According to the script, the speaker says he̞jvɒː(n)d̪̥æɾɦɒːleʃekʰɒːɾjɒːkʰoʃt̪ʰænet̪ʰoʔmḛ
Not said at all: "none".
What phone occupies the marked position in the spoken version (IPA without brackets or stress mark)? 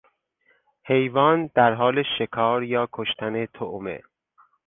n